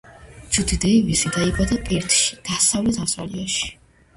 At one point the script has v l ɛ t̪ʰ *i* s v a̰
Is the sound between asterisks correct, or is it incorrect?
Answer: incorrect